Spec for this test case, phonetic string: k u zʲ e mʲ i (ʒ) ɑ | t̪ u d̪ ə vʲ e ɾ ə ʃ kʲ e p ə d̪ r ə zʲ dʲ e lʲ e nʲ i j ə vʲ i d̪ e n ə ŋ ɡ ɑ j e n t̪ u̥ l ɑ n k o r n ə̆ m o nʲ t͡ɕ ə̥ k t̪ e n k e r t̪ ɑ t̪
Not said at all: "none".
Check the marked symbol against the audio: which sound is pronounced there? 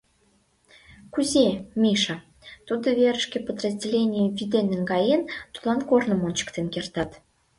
ʃ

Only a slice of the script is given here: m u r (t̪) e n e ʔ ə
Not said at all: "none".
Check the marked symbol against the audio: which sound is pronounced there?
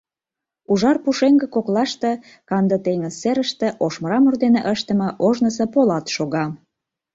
d̪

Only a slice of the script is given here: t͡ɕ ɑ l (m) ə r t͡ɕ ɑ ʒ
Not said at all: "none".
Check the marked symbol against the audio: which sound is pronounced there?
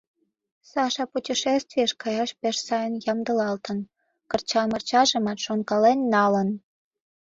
m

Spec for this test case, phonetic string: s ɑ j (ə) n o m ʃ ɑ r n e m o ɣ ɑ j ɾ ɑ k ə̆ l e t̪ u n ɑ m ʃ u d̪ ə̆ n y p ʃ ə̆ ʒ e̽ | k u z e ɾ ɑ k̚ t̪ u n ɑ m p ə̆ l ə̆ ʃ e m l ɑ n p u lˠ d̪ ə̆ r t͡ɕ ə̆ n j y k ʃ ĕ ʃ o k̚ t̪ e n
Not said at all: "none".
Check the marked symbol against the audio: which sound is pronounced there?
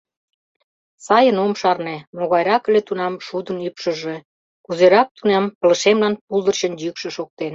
ə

